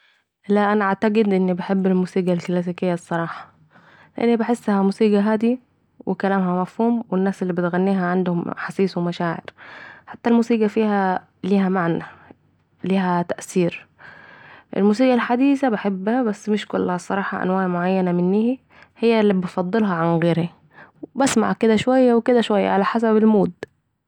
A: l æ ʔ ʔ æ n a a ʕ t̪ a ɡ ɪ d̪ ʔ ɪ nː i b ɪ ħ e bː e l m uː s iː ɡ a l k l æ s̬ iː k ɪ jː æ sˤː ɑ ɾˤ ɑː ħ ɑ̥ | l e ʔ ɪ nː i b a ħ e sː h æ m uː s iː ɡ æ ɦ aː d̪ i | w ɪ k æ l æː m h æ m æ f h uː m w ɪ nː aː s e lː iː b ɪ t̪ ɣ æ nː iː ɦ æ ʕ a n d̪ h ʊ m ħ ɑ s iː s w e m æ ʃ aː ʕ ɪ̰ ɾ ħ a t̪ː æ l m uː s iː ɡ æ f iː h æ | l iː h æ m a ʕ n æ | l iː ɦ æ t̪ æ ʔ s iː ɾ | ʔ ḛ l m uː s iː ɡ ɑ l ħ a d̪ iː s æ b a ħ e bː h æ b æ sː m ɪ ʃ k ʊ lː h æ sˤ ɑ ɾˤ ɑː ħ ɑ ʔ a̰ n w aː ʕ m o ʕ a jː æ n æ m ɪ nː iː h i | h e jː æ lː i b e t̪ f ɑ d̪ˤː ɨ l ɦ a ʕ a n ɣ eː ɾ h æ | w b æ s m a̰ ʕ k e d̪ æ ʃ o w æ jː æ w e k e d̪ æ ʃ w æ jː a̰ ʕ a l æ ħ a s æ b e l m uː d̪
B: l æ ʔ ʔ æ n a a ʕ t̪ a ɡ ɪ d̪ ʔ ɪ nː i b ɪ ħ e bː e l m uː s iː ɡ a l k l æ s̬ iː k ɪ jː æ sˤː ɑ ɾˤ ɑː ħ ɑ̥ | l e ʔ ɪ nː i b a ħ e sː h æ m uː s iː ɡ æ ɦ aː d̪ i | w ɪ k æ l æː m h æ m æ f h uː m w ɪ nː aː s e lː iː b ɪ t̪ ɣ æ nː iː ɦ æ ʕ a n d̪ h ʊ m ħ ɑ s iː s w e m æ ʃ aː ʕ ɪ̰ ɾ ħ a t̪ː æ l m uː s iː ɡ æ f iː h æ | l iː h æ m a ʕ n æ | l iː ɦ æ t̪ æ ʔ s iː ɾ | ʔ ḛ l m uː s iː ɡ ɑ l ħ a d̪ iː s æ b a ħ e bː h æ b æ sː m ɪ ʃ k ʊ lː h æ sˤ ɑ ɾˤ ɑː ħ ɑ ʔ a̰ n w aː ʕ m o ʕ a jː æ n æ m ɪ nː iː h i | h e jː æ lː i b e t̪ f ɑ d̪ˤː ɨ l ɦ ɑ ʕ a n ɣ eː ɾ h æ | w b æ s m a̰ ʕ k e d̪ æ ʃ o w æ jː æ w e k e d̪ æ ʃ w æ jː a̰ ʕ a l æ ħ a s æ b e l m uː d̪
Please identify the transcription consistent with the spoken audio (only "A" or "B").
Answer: B